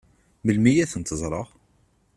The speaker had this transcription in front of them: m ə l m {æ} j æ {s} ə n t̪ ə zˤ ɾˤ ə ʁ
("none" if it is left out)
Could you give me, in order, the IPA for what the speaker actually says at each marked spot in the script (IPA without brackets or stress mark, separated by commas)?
i, θ